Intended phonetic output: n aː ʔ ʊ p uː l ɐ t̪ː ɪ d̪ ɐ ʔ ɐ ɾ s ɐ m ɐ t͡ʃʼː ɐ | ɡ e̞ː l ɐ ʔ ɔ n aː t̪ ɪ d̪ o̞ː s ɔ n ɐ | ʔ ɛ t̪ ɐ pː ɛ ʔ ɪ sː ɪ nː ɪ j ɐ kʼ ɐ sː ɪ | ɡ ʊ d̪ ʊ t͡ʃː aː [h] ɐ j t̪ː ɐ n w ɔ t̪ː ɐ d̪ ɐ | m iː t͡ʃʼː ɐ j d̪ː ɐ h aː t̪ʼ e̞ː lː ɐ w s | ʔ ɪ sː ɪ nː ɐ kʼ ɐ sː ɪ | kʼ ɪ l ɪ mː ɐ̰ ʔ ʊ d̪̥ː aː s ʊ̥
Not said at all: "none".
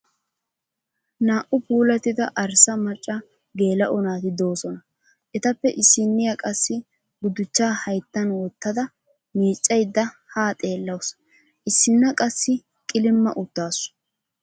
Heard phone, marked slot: h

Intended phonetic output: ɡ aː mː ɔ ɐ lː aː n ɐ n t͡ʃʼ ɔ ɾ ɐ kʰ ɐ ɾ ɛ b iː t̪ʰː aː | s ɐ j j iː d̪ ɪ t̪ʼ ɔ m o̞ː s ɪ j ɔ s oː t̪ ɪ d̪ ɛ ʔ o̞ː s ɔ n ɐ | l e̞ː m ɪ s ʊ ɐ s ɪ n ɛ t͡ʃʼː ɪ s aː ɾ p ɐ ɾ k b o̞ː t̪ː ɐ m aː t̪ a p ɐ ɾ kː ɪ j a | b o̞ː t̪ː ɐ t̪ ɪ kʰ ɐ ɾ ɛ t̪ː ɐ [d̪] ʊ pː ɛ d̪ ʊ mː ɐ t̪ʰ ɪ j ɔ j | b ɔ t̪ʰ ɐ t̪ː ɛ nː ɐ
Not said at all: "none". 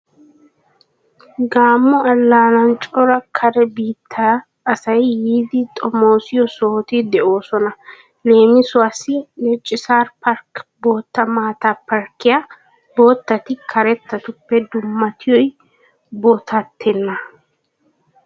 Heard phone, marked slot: t̪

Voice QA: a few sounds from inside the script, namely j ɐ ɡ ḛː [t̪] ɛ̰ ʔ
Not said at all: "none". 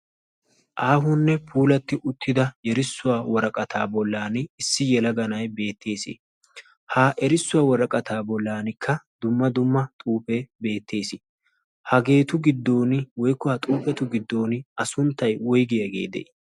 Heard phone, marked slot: d̪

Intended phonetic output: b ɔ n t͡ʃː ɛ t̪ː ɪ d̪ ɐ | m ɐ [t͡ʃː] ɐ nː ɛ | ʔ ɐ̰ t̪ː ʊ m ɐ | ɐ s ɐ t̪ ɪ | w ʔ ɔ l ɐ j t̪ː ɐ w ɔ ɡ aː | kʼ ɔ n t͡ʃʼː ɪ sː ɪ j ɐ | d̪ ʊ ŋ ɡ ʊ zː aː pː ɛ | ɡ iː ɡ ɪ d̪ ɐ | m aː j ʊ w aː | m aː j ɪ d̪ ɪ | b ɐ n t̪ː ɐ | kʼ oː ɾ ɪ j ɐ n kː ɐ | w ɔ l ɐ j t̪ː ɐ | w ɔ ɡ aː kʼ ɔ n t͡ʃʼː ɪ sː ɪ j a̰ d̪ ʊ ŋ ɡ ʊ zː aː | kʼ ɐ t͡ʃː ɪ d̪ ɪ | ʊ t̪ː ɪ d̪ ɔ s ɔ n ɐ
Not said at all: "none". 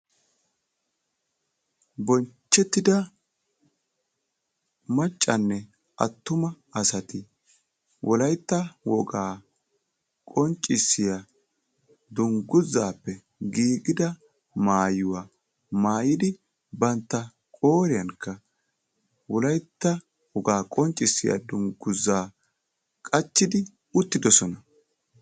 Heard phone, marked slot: t͡ʃʼː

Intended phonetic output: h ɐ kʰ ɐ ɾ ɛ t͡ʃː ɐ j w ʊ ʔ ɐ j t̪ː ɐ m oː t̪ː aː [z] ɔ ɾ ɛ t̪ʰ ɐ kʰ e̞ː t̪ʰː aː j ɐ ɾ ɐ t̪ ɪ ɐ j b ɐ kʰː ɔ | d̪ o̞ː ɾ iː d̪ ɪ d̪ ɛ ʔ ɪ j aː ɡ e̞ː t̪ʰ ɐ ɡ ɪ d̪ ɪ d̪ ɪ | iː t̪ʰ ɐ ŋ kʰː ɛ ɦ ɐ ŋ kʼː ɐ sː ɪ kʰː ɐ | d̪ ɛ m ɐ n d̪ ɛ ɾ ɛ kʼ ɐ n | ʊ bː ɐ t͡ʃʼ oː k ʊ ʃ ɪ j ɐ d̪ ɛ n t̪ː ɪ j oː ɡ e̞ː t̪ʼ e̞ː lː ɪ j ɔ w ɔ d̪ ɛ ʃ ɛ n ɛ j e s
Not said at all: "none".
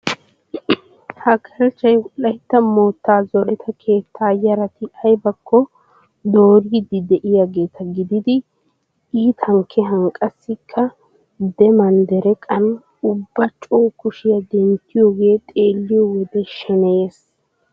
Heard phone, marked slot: z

